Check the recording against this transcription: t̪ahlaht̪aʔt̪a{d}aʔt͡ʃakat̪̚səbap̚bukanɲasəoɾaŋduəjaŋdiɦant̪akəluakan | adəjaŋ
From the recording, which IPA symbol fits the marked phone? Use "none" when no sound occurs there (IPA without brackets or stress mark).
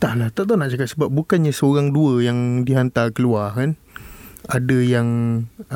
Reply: n